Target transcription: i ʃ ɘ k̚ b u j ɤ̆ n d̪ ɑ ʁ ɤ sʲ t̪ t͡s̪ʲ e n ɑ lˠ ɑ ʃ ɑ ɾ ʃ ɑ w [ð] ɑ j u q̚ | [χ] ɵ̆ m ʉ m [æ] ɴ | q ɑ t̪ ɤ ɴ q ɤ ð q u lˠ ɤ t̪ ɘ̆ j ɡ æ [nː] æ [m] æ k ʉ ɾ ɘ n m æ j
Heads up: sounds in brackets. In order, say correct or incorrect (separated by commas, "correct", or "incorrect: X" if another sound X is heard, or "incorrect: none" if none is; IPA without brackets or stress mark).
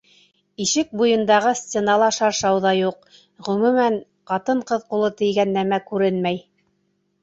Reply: correct, incorrect: ʁ, correct, correct, correct